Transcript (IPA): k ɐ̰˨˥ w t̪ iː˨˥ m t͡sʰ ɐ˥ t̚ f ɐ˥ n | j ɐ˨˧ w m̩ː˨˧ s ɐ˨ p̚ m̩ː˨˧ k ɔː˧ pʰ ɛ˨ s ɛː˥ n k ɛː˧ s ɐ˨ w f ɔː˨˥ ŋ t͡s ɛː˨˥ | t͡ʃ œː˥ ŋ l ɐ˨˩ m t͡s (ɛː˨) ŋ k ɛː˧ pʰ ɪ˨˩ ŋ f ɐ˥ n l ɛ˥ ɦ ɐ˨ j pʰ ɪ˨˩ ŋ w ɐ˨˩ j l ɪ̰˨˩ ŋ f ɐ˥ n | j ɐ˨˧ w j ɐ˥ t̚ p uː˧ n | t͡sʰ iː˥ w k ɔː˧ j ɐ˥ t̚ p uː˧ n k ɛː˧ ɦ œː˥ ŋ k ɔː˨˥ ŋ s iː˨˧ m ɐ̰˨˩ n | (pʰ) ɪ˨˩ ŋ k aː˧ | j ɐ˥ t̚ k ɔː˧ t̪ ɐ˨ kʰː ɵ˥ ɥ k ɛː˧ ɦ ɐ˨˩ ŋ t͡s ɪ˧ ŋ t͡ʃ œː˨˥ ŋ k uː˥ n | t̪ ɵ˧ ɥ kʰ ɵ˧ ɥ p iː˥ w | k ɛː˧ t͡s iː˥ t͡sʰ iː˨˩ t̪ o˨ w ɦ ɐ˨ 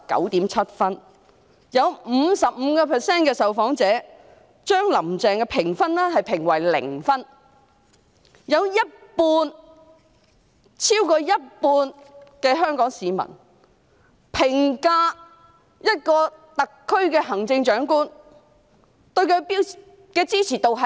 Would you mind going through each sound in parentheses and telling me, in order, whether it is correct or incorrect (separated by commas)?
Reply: correct, correct